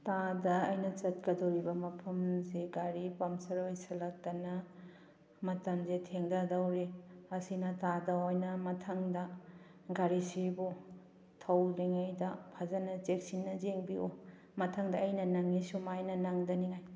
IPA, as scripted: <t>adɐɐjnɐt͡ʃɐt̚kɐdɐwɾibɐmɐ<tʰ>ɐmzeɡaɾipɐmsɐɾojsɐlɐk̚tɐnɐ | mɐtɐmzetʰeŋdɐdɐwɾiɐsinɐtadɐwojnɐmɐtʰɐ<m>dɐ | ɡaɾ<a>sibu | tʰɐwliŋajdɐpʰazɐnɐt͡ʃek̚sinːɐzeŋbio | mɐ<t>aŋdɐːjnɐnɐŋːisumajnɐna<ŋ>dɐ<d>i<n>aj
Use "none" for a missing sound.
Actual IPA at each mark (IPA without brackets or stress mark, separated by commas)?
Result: t, pʰ, ŋ, i, tʰ, ŋ, n, ŋ